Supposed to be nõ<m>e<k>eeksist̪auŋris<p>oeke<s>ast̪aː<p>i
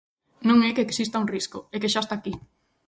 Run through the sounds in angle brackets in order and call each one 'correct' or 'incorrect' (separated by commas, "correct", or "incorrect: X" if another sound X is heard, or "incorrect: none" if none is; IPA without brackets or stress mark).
incorrect: ŋ, correct, incorrect: k, incorrect: ʃ, incorrect: k